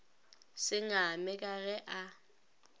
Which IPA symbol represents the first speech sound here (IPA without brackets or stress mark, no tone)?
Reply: s